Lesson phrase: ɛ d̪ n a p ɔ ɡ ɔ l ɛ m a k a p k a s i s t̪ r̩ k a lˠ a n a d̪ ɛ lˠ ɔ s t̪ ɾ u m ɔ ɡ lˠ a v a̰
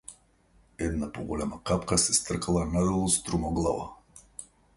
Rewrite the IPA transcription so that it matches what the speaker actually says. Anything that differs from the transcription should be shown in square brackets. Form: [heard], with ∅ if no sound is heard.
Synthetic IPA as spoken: ɛ d̪ n a p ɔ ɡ ɔ l ɛ m a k a p k a s [ɛ] s t̪ r̩ k a lˠ a n a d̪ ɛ lˠ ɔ s t̪ ɾ u m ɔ ɡ lˠ a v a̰